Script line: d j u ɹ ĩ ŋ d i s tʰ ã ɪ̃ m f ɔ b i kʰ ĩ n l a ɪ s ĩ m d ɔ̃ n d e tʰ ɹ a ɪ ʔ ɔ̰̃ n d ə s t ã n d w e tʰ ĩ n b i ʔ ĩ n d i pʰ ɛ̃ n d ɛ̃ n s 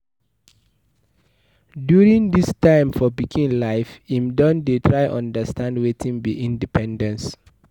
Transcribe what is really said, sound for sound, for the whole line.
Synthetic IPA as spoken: d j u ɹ ĩ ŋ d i s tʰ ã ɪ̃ m f ɔ b i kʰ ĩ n l a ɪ f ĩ m d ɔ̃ n d e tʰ ɹ a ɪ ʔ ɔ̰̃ n d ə s t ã n d w e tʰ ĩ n b i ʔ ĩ n d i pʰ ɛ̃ n d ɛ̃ n s